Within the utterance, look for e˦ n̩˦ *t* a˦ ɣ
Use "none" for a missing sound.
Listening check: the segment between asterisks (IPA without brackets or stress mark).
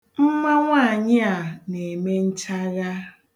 t͡ʃ